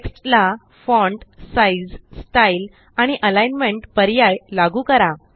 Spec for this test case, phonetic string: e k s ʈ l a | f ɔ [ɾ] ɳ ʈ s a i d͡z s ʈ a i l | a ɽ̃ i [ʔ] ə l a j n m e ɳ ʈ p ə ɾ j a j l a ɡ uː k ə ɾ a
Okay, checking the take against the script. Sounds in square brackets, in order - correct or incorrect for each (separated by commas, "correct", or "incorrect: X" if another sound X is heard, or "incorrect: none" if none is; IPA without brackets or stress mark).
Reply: incorrect: none, correct